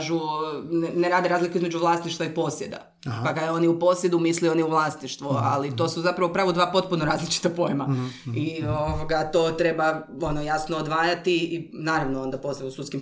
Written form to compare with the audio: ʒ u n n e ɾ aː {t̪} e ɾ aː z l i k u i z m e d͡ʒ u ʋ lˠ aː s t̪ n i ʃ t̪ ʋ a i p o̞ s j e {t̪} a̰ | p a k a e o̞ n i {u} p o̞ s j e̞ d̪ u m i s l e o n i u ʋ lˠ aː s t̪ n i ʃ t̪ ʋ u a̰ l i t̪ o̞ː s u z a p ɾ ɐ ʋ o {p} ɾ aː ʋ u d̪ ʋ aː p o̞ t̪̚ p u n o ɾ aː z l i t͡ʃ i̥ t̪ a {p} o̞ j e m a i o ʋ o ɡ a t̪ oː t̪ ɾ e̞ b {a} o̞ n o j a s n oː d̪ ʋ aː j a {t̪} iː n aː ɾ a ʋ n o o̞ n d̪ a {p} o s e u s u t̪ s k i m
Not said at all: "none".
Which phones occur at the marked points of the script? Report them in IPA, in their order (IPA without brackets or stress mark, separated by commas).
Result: d̪, d̪, u, p, p, a, t̪, p